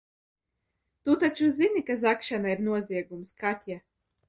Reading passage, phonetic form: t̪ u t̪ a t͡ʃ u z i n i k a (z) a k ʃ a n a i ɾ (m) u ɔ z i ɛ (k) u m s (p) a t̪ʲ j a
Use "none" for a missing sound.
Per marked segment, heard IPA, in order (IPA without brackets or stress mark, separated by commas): z, n, ɡ, k